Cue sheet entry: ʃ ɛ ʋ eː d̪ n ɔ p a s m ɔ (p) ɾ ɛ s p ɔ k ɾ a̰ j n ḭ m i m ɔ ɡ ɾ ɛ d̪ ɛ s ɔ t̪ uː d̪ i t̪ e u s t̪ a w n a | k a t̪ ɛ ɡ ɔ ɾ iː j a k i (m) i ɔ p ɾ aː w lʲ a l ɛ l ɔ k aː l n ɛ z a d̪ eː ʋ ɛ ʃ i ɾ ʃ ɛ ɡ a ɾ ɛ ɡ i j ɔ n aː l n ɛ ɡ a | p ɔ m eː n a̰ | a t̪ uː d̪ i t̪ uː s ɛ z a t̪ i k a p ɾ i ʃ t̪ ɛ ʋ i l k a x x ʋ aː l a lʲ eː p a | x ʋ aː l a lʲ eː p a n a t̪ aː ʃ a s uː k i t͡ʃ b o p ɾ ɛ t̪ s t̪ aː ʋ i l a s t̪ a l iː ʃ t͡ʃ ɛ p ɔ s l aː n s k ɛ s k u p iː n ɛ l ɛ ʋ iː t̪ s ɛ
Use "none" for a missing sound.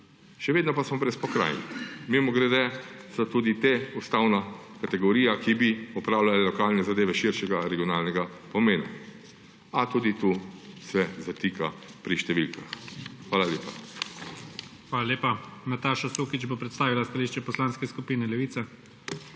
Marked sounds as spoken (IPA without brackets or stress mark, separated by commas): b, b